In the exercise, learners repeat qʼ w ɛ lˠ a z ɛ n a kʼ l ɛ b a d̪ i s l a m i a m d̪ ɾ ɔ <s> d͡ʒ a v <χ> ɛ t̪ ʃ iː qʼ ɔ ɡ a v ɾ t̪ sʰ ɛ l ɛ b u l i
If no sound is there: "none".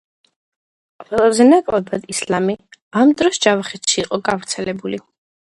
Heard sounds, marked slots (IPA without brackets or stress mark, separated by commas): s, χ